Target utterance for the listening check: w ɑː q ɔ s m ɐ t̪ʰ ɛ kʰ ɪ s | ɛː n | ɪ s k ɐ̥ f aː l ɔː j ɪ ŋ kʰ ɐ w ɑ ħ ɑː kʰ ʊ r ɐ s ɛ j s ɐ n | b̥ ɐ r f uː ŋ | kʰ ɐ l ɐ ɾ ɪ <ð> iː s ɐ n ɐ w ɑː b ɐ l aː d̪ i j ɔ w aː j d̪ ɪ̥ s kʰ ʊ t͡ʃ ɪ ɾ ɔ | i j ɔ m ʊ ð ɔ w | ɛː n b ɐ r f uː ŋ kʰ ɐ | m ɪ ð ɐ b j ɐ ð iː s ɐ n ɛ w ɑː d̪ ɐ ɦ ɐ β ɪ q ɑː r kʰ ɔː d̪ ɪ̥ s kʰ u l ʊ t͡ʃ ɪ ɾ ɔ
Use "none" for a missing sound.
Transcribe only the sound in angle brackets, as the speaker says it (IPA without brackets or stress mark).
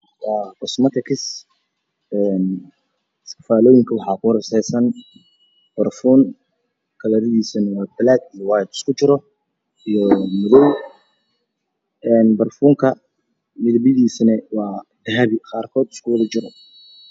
ð